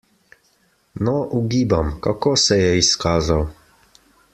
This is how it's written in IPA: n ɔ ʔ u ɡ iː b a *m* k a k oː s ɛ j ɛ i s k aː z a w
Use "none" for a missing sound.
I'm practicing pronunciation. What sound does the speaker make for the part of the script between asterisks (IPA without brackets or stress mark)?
m